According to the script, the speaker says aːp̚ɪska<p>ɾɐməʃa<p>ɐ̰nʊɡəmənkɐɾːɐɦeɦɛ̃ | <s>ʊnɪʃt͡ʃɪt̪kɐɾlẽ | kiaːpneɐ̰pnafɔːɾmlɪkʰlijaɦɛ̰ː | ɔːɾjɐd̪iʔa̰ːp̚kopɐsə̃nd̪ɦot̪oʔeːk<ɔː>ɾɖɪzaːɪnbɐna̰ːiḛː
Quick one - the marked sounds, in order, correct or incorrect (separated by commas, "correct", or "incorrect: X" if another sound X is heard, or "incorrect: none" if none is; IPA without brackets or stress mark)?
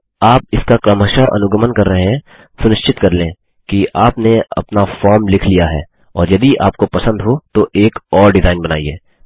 incorrect: k, incorrect: ʔ, correct, correct